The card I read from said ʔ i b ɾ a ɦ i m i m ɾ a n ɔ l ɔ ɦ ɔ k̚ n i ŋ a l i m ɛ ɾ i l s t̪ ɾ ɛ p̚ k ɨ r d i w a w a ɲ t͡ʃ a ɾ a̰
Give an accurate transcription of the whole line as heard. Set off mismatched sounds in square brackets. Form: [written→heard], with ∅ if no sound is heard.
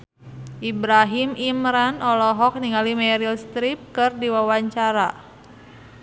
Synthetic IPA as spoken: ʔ i b ɾ a ɦ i m i m ɾ a n ɔ l ɔ ɦ ɔ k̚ n i ŋ a l i m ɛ ɾ i l s t̪ ɾ [ɛ→i] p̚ k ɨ r d i w a w a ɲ t͡ʃ a ɾ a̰

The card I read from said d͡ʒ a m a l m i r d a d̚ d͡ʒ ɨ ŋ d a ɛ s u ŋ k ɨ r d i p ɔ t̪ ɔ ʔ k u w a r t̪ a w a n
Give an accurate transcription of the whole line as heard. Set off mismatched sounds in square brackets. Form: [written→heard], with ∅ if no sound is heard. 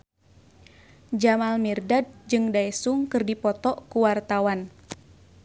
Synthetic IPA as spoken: d͡ʒ a m a l m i r d a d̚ d͡ʒ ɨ ŋ d a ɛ s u ŋ k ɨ r d i p ɔ t̪ ɔ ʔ k u w a r t̪ a w a n

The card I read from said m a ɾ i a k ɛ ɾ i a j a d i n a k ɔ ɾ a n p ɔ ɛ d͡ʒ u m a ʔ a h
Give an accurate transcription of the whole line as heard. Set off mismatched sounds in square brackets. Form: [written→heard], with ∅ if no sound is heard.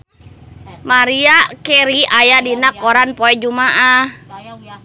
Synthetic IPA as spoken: m a ɾ i a k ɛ ɾ i a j a d i n a k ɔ ɾ a n p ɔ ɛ d͡ʒ u m a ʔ a h

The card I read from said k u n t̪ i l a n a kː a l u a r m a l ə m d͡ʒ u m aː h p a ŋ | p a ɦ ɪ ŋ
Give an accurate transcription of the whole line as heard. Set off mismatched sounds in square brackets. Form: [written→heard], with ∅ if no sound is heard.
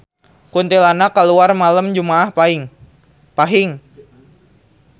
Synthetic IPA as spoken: k u n t̪ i l a n a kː a l u a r m a l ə m d͡ʒ u m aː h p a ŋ | p a ɦ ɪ ŋ

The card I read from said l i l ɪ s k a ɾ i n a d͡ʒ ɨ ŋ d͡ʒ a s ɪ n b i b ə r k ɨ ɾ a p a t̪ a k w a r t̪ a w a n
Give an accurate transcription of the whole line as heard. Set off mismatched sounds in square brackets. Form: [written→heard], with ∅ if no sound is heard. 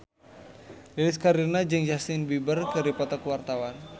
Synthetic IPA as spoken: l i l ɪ s k a ɾ i n a d͡ʒ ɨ ŋ d͡ʒ a s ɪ n b i b ə r k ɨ ɾ [a→i] p a t̪ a k w a r t̪ a w a n

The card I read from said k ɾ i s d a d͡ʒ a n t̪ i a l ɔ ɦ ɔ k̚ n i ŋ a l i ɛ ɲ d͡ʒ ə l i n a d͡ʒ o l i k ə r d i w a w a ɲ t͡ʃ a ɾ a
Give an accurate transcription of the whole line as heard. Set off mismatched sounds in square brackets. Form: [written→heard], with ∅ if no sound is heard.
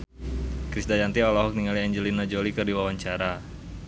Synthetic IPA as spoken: k ɾ i s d a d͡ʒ a n t̪ i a l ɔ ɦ ɔ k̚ n i ŋ a l i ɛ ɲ d͡ʒ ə l i n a d͡ʒ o l i k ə r d i w a w a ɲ t͡ʃ a ɾ a

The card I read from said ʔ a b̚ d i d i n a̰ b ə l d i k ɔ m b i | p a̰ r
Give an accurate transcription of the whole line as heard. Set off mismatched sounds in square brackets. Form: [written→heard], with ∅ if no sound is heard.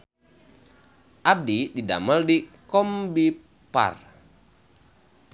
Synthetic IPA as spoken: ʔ a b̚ d i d i [n→d] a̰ [b→m] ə l d i k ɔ m b i | p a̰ r

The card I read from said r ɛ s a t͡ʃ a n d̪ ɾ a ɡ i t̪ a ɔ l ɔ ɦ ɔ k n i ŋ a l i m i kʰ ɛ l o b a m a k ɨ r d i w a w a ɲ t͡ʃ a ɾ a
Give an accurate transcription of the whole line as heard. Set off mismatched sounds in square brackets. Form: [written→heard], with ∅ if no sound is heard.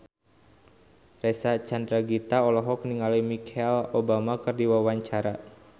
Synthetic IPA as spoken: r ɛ s a t͡ʃ a n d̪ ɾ a ɡ i t̪ a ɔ l ɔ ɦ ɔ k n i ŋ a l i m i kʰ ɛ l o b a m a k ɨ r d i w a w a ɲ t͡ʃ a ɾ a

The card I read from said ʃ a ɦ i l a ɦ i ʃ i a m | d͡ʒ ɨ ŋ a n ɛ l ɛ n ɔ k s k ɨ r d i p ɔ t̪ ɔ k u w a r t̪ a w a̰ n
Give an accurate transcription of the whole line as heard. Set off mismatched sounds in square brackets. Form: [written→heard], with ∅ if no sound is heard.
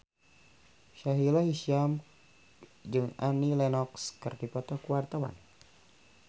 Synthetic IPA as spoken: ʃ a ɦ i l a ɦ i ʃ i a m | d͡ʒ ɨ ŋ a n [ɛ→i] l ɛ n ɔ k s k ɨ r d i p ɔ t̪ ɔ k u w a r t̪ a w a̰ n

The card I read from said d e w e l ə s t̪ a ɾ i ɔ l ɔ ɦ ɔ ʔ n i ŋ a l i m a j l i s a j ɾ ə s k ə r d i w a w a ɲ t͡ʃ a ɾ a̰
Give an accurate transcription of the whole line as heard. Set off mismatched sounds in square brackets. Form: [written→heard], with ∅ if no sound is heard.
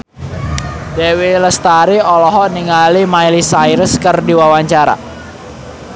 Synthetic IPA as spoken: d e w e l ə s t̪ a ɾ i ɔ l ɔ ɦ ɔ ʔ n i ŋ a l i m a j l i s a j ɾ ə s k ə r d i w a w a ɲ t͡ʃ a ɾ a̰

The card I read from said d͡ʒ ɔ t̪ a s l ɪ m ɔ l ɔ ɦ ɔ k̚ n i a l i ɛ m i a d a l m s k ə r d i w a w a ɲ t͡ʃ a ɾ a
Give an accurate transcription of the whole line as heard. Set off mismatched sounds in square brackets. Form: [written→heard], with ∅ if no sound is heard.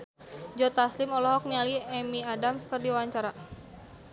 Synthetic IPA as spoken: d͡ʒ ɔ t̪ a s l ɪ m ɔ l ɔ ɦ ɔ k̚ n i a l i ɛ m i a d a [l→∅] m s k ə r d i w a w a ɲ t͡ʃ a ɾ a

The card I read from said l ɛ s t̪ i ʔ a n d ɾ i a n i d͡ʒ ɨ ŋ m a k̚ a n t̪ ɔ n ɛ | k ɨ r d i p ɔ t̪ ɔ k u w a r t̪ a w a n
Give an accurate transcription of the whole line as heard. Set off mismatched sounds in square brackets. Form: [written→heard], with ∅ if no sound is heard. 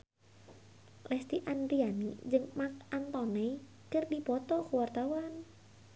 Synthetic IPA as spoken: l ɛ s t̪ i ʔ a n d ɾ i a n i d͡ʒ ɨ ŋ m a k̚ a n t̪ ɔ n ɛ | k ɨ r d i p ɔ t̪ ɔ k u w a r t̪ a w a n

